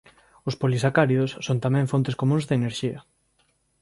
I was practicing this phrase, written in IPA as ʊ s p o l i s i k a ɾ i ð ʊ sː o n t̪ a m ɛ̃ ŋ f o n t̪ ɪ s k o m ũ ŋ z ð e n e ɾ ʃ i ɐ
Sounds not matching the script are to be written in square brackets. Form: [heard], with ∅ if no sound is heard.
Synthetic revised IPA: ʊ s p o l i s [a] k a ɾ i ð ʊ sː o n t̪ a m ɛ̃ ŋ f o n t̪ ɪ s k o m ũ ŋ z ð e n e ɾ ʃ i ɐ